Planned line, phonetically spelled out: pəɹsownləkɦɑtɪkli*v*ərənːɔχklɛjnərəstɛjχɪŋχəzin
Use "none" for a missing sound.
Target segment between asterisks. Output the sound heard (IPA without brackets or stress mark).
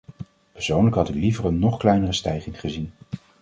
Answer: v